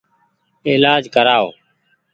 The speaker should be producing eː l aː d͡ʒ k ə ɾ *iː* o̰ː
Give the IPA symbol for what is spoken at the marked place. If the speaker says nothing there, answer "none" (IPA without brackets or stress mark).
aː